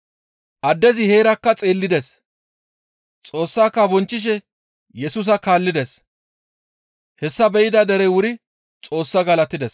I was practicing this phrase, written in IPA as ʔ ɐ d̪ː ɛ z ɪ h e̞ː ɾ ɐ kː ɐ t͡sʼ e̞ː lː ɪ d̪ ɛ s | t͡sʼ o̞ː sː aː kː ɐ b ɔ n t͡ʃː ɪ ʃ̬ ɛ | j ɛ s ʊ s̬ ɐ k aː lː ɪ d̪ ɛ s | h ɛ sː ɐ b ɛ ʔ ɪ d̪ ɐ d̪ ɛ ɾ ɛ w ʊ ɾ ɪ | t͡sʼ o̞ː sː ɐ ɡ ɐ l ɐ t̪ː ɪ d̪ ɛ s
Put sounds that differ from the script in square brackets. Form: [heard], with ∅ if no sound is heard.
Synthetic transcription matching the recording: ʔ ɐ d̪ː ɛ z ɪ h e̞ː ɾ ɐ kː ɐ t͡sʼ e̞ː lː ɪ d̪ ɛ s | t͡sʼ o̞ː sː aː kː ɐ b ɔ n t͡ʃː ɪ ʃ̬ ɛ | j ɛ s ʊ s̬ ɐ k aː lː ɪ d̪ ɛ s | h ɛ sː ɐ b ɛ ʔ ɪ d̪ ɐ d̪ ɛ ɾ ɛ w ʊ ɾ ɪ | t͡sʼ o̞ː sː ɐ ɡ ɐ l ɐ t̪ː ɪ d̪ ɛ s